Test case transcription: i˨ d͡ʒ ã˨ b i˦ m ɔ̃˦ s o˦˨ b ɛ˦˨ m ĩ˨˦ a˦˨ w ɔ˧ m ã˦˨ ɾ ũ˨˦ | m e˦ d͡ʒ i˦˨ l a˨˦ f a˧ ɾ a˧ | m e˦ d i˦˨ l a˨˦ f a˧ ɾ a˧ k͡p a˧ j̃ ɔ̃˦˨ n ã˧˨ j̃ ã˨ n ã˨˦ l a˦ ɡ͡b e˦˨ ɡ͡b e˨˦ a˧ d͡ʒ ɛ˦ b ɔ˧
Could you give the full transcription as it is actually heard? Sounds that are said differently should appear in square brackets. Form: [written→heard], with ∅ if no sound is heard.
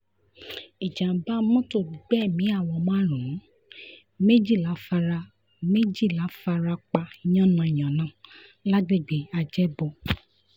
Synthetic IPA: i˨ d͡ʒ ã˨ b [i˦→a˦] m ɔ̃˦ [s→t] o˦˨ [b→ɡ͡b] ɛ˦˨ m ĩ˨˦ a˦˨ w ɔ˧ m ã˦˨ ɾ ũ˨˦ | m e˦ d͡ʒ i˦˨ l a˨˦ f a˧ ɾ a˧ | m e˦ [d→d͡ʒ] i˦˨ l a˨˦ f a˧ ɾ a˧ k͡p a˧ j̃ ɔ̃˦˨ n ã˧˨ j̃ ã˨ n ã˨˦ l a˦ ɡ͡b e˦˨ ɡ͡b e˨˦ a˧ d͡ʒ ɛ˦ b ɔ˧